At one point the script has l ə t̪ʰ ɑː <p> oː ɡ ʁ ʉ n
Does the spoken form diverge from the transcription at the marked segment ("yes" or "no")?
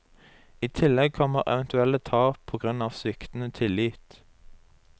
yes